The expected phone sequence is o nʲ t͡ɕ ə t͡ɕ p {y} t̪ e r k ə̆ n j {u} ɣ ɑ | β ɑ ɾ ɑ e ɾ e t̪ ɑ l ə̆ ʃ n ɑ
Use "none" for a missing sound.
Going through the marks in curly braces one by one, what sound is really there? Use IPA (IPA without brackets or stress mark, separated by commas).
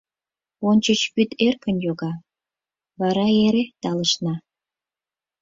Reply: y, o